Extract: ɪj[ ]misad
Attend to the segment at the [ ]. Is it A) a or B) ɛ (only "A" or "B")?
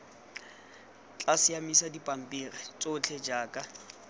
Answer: A